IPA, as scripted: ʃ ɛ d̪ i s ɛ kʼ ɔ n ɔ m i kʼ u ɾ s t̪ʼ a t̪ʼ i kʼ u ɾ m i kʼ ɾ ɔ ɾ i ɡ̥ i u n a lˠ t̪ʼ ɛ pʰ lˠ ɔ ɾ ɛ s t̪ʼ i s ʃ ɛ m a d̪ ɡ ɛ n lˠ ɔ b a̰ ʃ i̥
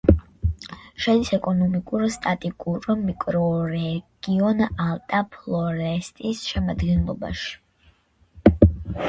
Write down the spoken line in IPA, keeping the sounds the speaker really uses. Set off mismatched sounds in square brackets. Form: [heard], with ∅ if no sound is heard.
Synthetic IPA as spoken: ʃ ɛ d̪ i s ɛ kʼ ɔ n ɔ m i kʼ u ɾ s t̪ʼ a t̪ʼ i kʼ u ɾ m i kʼ ɾ ɔ ɾ [ɛ] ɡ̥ i [ɔ] n a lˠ t̪ʼ [a] pʰ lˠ ɔ ɾ ɛ s t̪ʼ i s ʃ ɛ m a d̪ ɡ ɛ n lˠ ɔ b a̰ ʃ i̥